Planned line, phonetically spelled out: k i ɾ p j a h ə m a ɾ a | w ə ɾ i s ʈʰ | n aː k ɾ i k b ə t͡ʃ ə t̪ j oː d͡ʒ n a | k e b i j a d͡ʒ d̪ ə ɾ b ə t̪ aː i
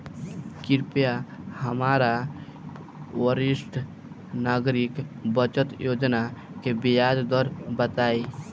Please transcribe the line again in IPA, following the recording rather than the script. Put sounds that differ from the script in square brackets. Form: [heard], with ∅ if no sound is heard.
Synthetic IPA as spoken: k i ɾ p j a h ə m a ɾ a | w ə ɾ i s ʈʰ | n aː [ɡ] ɾ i k b ə t͡ʃ ə t̪ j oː d͡ʒ n a | k e b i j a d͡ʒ d̪ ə ɾ b ə t̪ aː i